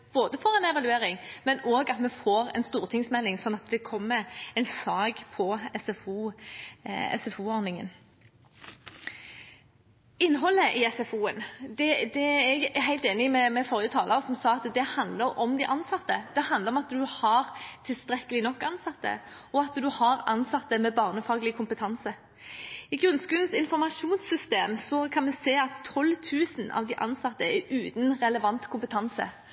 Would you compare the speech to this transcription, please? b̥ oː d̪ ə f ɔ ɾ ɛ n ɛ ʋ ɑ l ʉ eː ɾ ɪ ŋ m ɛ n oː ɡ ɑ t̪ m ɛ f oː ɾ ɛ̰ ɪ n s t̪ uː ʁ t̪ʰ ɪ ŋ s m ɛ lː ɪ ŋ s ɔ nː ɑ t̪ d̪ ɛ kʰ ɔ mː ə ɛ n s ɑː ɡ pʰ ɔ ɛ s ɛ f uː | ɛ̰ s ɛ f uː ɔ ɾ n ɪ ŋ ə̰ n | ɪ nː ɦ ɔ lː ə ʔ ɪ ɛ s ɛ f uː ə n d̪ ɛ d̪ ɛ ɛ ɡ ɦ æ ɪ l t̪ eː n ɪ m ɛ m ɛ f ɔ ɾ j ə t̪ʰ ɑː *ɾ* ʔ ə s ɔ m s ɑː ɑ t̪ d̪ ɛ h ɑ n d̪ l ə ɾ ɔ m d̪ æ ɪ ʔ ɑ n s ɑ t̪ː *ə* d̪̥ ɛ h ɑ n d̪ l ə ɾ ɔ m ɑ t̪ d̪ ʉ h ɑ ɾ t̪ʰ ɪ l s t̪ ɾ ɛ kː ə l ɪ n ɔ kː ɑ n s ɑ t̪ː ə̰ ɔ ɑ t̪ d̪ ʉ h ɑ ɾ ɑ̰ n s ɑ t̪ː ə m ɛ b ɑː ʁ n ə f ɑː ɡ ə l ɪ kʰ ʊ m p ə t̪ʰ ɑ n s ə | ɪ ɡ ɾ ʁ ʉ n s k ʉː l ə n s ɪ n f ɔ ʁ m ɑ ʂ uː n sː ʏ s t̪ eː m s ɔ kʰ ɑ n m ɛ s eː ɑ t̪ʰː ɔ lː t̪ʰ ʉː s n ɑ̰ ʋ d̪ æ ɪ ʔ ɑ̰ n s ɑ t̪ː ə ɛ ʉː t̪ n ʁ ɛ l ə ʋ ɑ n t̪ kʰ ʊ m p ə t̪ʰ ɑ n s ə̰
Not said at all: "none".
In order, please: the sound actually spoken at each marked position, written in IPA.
l, ə

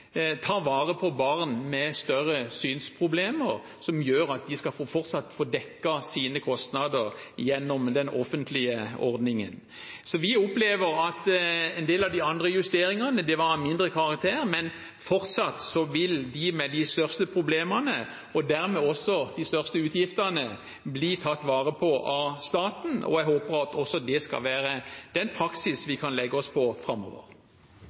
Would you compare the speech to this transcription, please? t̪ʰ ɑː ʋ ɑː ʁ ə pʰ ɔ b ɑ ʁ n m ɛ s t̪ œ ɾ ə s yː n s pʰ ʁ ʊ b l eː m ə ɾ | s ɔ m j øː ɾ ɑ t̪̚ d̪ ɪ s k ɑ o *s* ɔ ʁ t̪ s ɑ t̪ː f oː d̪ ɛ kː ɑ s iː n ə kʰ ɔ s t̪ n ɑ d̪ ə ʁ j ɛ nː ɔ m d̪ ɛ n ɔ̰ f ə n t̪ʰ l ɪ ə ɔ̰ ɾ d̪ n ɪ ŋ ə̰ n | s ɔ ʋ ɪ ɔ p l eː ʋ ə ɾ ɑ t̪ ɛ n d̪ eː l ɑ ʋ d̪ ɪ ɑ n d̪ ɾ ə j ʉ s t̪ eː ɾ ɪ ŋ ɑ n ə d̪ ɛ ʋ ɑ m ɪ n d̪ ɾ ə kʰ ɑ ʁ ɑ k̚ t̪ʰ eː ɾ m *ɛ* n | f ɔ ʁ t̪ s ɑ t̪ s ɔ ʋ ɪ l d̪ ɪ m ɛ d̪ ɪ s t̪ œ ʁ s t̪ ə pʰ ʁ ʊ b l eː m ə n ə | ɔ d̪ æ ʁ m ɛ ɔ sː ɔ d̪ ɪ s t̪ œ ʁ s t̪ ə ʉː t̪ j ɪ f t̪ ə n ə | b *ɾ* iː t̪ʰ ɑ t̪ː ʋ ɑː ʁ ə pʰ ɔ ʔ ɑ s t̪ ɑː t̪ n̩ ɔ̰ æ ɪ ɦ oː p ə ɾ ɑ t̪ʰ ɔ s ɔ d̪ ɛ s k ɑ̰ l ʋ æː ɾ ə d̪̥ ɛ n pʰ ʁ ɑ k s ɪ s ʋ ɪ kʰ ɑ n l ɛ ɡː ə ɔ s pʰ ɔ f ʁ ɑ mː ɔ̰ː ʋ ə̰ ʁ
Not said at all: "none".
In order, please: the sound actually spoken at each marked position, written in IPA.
f, ɛ, l

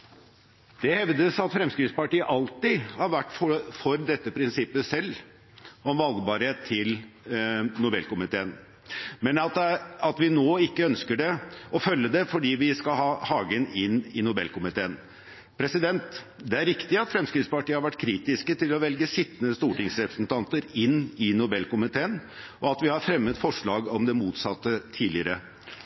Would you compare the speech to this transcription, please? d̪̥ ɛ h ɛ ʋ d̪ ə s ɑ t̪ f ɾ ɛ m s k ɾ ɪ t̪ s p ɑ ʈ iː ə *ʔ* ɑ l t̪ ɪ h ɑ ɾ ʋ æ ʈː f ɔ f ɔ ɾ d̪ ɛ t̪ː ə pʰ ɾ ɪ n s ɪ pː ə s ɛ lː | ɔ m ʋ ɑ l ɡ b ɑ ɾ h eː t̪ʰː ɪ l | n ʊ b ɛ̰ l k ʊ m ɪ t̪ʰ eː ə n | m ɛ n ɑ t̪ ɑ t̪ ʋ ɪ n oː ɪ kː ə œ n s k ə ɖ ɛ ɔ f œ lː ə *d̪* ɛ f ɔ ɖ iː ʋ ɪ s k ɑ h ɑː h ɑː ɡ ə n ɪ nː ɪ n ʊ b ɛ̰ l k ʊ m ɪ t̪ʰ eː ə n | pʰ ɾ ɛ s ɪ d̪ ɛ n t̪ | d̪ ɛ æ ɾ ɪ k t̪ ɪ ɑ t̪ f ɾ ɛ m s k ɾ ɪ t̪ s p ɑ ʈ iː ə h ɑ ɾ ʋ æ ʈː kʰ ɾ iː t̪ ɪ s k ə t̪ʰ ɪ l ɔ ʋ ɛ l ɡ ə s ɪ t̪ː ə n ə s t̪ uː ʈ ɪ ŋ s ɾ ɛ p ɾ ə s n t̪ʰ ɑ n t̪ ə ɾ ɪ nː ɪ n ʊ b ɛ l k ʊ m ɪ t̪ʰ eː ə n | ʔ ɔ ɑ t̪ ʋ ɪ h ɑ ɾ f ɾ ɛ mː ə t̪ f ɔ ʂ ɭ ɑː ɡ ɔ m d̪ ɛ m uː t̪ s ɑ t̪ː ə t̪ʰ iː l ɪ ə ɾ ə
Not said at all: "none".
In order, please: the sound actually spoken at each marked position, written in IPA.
ʔ, d̪

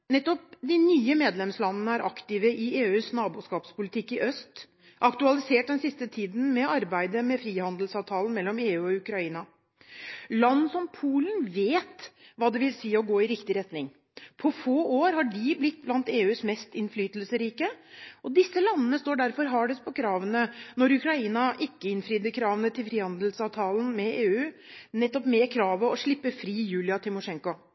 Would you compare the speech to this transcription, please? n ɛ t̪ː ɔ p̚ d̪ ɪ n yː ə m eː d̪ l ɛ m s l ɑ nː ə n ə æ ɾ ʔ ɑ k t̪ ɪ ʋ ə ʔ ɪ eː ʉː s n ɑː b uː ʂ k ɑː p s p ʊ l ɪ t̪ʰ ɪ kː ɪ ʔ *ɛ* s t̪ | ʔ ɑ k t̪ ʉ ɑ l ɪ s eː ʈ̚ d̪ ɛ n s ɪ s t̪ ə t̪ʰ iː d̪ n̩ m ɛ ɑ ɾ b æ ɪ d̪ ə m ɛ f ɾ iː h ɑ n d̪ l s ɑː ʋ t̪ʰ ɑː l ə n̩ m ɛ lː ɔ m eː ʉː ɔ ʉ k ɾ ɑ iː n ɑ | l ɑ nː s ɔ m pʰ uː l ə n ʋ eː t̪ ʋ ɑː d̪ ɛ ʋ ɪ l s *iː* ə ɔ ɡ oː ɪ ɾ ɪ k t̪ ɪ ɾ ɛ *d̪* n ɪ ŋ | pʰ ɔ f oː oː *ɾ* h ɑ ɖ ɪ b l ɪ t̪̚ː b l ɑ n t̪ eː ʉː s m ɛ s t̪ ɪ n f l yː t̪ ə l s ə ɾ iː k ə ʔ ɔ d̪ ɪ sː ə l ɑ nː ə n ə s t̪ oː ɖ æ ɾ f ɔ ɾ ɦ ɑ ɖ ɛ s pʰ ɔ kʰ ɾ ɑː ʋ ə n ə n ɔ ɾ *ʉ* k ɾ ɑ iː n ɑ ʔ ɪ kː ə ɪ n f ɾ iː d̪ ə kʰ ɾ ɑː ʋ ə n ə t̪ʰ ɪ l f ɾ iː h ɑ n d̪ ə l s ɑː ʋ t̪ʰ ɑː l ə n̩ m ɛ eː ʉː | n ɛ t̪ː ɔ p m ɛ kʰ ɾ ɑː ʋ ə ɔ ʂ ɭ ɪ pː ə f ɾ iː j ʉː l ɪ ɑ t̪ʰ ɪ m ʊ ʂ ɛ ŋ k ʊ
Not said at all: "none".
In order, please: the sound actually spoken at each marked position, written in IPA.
œ, iː, t̪, ɾ, ʉ

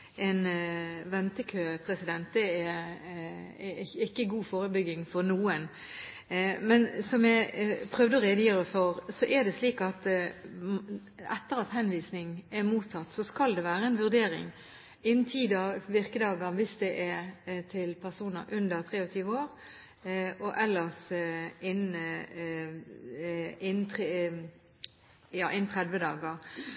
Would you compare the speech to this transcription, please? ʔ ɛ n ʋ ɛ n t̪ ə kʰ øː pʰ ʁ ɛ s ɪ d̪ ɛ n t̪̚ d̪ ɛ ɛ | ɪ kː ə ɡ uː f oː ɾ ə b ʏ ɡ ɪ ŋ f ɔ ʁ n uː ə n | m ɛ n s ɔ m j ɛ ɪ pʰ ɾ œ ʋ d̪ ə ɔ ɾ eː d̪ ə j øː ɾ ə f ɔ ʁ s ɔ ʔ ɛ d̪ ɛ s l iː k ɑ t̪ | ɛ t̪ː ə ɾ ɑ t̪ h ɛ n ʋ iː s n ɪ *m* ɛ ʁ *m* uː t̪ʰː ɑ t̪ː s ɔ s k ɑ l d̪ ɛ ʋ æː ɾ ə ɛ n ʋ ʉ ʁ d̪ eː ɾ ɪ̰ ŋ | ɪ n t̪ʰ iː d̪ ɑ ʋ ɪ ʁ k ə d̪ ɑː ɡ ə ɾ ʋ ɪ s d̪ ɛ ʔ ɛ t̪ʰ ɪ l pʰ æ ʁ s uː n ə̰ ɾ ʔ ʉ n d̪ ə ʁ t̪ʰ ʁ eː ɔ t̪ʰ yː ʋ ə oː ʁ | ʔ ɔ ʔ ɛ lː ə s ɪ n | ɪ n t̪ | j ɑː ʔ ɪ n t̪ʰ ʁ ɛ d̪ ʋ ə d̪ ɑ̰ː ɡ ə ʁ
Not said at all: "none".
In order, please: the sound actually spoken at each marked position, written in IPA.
ŋ, m

